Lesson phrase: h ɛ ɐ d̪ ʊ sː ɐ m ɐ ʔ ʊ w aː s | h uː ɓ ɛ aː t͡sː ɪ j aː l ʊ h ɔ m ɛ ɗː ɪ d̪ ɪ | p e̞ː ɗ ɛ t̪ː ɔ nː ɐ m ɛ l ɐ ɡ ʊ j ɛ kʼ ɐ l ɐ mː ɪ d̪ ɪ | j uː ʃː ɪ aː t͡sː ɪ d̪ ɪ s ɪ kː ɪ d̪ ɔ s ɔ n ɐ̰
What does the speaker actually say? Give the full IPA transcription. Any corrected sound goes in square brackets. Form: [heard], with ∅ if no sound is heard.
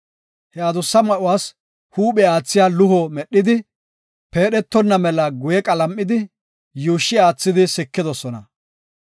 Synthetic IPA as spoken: h ɛ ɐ d̪ ʊ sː ɐ m ɐ ʔ ʊ w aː s | h uː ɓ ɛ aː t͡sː ɪ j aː l ʊ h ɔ m ɛ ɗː ɪ d̪ ɪ | p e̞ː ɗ ɛ t̪ː ɔ nː ɐ m ɛ l ɐ ɡ ʊ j ɛ kʼ ɐ l ɐ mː ɪ d̪ ɪ | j uː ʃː ɪ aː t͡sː ɪ d̪ ɪ s ɪ kː ɪ d̪ ɔ s ɔ n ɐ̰